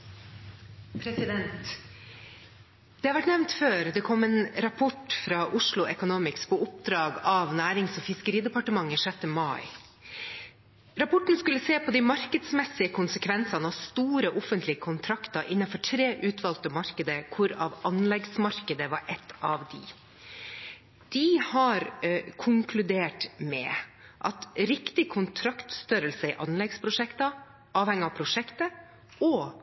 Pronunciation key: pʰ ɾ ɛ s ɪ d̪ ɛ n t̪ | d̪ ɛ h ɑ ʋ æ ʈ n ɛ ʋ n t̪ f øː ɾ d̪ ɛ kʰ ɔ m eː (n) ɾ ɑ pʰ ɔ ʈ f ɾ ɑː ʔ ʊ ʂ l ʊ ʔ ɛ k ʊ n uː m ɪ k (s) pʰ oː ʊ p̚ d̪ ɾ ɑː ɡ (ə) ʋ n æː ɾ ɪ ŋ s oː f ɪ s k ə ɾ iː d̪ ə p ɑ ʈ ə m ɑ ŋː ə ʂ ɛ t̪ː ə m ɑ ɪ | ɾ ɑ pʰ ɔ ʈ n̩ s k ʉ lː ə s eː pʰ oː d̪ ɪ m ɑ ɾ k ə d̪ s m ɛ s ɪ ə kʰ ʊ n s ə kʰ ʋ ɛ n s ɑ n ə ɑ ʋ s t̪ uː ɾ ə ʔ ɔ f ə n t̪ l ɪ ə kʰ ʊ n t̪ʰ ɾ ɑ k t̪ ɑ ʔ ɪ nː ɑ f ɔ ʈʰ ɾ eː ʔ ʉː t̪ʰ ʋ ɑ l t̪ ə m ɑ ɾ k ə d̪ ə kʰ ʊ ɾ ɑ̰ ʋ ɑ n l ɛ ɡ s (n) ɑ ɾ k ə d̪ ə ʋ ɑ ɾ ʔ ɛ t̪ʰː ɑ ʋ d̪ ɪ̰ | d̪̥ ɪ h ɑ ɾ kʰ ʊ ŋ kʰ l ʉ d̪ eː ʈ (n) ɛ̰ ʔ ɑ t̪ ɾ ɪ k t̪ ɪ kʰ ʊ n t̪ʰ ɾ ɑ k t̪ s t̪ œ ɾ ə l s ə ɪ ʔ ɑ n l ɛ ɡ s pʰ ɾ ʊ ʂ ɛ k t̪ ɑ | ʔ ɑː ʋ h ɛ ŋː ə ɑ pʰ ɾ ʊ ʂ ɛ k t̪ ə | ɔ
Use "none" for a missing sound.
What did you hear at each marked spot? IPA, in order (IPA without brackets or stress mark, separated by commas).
n, s, ɑ, m, m